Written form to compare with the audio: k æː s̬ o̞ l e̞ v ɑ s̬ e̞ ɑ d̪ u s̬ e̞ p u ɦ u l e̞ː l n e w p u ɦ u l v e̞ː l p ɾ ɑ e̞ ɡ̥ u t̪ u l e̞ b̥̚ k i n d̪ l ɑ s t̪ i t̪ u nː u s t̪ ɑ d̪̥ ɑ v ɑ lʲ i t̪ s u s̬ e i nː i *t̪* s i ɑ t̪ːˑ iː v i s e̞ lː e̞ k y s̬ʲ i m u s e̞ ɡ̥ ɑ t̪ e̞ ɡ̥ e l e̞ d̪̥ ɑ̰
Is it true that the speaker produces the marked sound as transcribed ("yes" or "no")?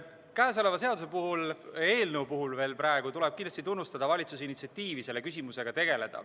yes